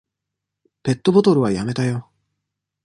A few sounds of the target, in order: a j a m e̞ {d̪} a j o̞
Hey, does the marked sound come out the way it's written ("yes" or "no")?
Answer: no